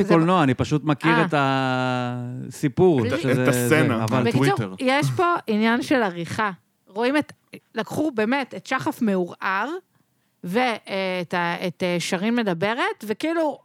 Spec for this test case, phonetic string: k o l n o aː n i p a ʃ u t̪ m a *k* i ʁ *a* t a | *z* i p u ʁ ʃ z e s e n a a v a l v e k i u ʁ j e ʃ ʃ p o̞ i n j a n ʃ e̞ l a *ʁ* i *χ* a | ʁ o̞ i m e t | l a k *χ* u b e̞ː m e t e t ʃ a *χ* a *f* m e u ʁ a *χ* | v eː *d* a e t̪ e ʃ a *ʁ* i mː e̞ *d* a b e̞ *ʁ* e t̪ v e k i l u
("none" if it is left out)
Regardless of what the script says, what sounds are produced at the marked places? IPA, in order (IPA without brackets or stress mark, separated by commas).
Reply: k, e, s, ʁ, χ, χ, χ, f, ʁ, t, ʁ, d, ʁ